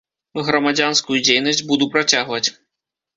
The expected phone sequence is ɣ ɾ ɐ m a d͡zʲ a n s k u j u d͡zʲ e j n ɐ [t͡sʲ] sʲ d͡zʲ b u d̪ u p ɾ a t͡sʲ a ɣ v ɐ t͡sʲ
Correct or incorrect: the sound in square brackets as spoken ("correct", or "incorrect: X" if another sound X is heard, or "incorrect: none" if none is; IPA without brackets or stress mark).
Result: incorrect: none